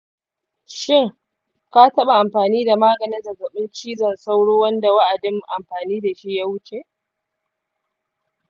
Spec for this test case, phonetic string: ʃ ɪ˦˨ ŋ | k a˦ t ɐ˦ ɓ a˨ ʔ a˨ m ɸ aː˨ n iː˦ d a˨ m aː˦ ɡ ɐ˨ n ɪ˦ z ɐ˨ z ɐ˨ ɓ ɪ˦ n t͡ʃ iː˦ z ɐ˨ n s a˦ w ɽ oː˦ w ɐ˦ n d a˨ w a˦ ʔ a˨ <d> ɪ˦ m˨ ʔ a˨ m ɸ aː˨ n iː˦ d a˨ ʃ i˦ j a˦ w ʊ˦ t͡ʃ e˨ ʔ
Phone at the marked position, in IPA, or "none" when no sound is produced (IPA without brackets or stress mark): d